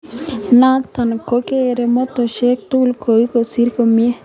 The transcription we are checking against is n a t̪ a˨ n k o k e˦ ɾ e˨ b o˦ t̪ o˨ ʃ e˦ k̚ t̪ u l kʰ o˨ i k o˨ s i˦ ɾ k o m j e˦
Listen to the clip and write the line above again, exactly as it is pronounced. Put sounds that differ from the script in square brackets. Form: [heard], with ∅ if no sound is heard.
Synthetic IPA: n a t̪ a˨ n k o k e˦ ɾ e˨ [m] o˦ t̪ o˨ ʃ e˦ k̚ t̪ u l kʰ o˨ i k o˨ s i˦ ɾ k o m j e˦